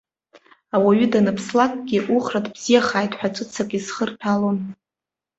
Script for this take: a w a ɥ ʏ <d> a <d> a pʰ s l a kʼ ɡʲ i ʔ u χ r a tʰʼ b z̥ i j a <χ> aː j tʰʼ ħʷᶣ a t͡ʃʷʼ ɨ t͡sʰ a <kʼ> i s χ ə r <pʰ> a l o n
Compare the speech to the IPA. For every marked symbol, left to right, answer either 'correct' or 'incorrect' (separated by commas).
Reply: correct, incorrect, correct, correct, correct